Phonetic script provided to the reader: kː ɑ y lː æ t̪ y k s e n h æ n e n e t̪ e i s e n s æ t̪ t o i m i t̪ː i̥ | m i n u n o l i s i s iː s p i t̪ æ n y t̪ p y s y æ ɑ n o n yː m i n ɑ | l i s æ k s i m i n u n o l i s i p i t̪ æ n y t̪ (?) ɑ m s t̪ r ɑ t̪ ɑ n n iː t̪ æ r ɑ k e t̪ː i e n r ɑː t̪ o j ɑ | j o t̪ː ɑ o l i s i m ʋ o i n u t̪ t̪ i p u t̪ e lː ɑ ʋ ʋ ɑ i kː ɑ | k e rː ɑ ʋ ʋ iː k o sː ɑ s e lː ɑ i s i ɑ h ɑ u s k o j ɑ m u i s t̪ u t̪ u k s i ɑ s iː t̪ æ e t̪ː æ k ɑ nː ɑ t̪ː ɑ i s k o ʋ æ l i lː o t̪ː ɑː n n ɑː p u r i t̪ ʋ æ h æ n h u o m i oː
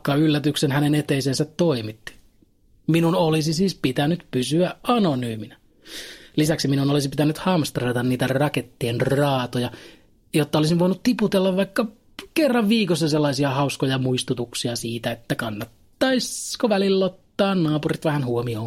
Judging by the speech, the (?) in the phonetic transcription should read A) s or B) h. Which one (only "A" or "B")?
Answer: B